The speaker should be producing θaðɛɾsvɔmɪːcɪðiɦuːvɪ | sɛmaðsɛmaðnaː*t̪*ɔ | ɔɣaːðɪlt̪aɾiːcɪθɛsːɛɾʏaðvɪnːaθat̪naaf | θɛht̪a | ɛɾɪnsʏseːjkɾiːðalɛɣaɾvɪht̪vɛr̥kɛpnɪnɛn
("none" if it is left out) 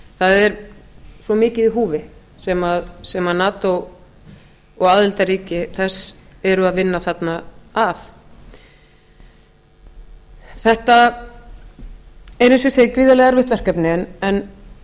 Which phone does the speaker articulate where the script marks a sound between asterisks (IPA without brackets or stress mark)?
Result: t̪